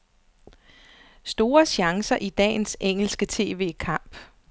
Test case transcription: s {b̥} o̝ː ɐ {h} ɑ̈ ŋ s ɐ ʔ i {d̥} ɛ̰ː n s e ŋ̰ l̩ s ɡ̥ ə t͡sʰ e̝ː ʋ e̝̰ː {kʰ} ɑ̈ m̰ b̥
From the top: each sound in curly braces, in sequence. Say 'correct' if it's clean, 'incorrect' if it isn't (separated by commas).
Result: incorrect, incorrect, correct, correct